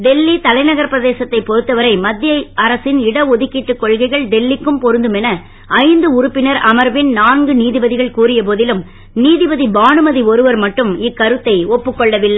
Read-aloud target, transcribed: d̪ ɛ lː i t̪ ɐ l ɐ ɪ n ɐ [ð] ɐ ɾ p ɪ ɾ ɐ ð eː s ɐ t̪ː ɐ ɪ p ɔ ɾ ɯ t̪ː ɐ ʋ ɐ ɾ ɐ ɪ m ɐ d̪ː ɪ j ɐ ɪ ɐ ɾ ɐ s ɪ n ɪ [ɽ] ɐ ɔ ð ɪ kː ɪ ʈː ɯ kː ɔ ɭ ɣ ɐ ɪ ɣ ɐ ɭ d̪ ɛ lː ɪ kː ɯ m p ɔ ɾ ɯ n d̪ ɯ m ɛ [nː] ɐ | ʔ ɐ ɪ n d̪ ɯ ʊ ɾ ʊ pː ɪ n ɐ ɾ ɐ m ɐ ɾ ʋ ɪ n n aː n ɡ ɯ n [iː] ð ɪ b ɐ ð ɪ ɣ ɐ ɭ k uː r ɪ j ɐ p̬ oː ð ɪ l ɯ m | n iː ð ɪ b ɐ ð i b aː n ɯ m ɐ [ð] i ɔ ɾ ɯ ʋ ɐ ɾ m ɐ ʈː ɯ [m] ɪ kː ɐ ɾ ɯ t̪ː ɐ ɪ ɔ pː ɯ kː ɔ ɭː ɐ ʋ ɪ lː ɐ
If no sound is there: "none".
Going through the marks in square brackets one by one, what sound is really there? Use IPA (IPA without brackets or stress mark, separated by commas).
ɣ, ɽ, n, iː, ð, m